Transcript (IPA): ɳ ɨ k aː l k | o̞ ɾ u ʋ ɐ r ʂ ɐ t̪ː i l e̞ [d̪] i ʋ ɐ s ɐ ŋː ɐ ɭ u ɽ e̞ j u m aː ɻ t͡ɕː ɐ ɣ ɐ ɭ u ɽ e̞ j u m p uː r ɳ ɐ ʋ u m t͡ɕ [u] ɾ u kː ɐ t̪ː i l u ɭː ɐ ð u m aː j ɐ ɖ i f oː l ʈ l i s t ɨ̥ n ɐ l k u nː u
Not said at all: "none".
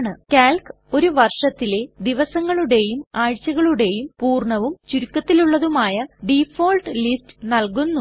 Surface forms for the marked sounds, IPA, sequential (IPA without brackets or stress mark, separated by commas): d̪, u